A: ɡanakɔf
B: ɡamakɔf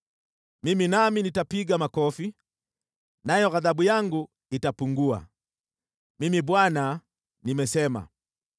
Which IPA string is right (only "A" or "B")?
B